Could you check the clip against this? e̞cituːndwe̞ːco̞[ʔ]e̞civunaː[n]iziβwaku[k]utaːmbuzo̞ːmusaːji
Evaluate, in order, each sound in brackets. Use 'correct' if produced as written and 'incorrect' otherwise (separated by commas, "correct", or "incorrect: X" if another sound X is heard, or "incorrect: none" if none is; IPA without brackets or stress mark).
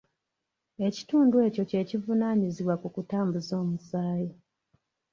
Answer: incorrect: c, incorrect: ɲ, correct